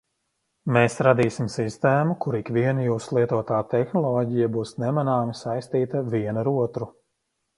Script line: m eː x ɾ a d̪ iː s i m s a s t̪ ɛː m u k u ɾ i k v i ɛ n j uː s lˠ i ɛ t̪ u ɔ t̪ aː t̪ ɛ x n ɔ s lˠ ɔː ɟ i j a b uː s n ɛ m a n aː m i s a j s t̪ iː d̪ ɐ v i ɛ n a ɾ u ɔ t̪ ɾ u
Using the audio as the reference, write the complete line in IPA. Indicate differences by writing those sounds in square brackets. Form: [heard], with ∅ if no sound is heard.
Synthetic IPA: m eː [s] ɾ a d̪ iː s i m s [i] s t̪ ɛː m u k u ɾ i k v i ɛ n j uː s lˠ i ɛ t̪ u ɔ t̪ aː t̪ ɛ x n ɔ [∅] lˠ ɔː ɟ i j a b uː s n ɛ m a n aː m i s a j s t̪ iː [t̪] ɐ v i ɛ n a ɾ u ɔ t̪ ɾ u

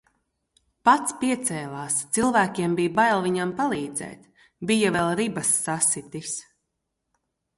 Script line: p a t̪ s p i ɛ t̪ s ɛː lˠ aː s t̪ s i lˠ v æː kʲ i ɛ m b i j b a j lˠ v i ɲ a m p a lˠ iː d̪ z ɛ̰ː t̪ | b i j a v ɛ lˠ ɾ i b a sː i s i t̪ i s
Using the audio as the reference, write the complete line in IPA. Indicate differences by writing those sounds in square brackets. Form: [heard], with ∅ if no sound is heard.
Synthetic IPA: p a t̪ s p i ɛ t̪ s ɛː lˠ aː s t̪ s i lˠ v æː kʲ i ɛ m b i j b a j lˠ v i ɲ a m p a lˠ iː d̪ z ɛ̰ː t̪ | b i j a v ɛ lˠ ɾ i b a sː [a] s i t̪ i s

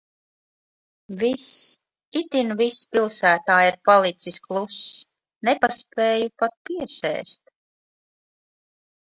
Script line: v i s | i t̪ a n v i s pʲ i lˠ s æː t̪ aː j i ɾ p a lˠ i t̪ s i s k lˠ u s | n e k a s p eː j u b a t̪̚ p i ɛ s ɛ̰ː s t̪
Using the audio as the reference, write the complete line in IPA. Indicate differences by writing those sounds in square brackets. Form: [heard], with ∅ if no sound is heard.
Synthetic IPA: v i s | i t̪ [i] n v i s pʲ i lˠ s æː t̪ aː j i ɾ p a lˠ i t̪ s i s k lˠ u s | n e [p] a s p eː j u [p] a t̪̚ p i ɛ s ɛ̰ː s t̪

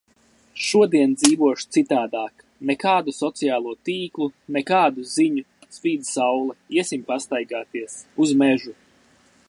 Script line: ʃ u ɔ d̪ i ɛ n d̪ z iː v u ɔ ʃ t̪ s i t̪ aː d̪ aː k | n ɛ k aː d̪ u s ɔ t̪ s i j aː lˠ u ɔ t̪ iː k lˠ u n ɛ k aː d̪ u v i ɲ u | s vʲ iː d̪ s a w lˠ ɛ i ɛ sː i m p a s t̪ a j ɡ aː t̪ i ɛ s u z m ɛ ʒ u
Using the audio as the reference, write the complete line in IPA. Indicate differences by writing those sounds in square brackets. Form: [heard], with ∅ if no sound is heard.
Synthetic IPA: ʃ u ɔ d̪ i ɛ n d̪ z iː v u ɔ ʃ t̪ s i t̪ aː d̪ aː k | n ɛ k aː d̪ u s ɔ t̪ s i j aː lˠ u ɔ t̪ iː k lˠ u n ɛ k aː d̪ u [z] i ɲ u | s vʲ iː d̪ s a w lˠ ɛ i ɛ [s] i m p a s t̪ a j ɡ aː t̪ i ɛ s u z m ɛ ʒ u

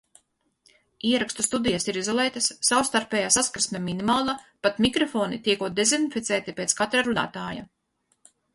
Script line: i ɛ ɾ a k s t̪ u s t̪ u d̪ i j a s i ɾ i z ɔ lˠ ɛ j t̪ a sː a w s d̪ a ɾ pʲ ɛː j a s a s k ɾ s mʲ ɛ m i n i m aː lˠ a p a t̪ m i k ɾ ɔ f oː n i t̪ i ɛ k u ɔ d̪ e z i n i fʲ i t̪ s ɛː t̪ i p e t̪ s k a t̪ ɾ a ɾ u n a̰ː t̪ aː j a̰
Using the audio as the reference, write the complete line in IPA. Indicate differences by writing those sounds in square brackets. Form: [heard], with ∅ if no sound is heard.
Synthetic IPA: i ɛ ɾ a k s t̪ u s t̪ u d̪ i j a s i ɾ i z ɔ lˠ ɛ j t̪ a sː a w s [t̪] a ɾ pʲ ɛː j a s a s k ɾ s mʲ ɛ m i n i m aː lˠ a p a t̪ m i k ɾ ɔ f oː n i t̪ i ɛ k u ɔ d̪ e z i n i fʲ i t̪ s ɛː t̪ i p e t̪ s k a t̪ ɾ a ɾ u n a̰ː t̪ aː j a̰

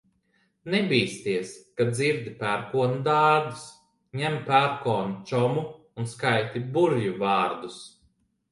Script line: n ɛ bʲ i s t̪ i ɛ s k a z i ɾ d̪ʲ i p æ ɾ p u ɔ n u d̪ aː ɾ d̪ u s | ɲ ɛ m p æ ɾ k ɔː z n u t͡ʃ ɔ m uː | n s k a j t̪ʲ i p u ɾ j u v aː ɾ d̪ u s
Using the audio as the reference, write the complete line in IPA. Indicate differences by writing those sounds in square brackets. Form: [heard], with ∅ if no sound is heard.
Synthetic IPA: n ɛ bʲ [iː] s t̪ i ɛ s k a z i ɾ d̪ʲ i p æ ɾ [k] u ɔ n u d̪ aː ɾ d̪ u s | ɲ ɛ m p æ ɾ k ɔː [∅] n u t͡ʃ ɔ m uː | n s k a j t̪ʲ i [b] u ɾ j u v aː ɾ d̪ u s

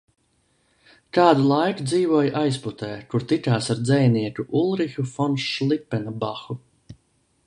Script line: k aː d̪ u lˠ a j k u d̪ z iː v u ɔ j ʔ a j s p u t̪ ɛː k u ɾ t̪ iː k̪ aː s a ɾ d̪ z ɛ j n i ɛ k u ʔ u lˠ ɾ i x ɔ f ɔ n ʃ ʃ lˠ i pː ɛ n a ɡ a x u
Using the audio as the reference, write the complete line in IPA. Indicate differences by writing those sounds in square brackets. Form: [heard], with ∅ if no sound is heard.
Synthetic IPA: k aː d̪ u lˠ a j k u d̪ z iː v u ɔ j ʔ a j s p u t̪ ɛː k u ɾ t̪ [i] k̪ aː s a ɾ d̪ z ɛ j n i ɛ k u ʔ u lˠ ɾ i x [u] f ɔ n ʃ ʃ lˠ i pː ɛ n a [b] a x u

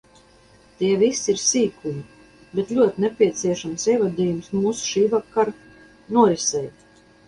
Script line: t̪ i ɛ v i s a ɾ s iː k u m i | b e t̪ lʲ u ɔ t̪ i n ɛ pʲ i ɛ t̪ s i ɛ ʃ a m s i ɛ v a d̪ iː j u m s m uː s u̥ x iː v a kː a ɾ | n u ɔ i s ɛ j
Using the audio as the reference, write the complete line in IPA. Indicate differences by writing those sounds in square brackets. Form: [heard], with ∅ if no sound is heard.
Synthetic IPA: t̪ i ɛ v i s [i] ɾ s iː k u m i | b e t̪ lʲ u ɔ t̪ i n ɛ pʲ i ɛ t̪ s i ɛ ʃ a m s i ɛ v a d̪ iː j u m s m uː s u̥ [ʃ] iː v a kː a ɾ | n u ɔ i s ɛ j

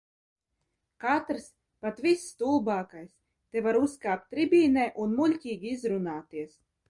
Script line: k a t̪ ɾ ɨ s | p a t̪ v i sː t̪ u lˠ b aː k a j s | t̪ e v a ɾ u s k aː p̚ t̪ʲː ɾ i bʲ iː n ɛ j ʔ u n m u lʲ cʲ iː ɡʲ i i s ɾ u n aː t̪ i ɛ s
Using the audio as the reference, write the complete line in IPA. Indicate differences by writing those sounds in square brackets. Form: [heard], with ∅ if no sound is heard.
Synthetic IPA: k a t̪ ɾ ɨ s | p a t̪ v i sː t̪ u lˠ b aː k a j s | t̪ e v a ɾ u s k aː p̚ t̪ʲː ɾ i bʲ iː n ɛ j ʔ u n m u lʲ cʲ iː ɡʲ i i [z] ɾ u n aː t̪ i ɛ s

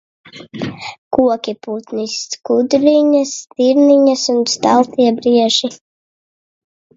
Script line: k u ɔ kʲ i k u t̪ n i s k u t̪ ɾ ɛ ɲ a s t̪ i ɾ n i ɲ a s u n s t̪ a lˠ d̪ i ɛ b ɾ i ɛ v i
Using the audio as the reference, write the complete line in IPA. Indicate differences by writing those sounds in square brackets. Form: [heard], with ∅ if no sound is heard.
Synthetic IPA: k u ɔ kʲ i [p] u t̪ n i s k u [d̪] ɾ [i] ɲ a s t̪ i ɾ n i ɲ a s u n s t̪ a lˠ [t̪] i ɛ b ɾ i ɛ [ʒ] i

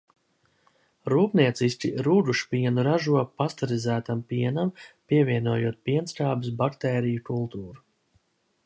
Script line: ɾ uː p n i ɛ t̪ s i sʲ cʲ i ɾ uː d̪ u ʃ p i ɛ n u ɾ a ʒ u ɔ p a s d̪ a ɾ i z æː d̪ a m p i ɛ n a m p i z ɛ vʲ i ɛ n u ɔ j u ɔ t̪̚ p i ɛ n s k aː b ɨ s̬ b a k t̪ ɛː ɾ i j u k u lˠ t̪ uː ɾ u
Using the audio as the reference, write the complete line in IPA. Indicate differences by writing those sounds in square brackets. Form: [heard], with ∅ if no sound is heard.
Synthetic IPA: ɾ uː p n i ɛ t̪ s i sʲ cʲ i ɾ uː d̪ u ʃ p i ɛ n u ɾ a ʒ u ɔ p a s [t̪] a ɾ i z æː [t̪] a m p i ɛ n a m p i [∅] ɛ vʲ i ɛ n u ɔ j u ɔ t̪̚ p i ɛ n s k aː b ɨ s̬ b a k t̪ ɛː ɾ i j u k u lˠ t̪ uː ɾ u

